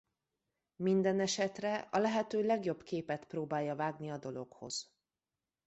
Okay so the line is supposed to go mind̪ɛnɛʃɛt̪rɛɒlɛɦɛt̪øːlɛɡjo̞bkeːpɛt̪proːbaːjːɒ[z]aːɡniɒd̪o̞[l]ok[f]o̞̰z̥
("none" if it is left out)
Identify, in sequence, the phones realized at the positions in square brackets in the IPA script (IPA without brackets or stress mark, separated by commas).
v, l, h